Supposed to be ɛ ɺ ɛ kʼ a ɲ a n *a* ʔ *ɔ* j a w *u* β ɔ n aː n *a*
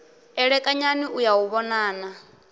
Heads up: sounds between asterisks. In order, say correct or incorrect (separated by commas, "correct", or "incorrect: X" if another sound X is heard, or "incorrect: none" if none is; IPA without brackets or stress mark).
incorrect: i, incorrect: u, correct, correct